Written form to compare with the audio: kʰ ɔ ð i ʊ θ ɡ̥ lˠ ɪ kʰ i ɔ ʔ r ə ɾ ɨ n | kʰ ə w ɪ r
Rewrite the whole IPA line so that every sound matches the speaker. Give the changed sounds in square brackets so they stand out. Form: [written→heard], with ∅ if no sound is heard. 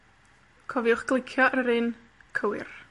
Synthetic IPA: kʰ ɔ [ð→v] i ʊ [θ→χ] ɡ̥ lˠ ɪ kʰ [i→j] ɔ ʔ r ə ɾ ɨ n | kʰ ə w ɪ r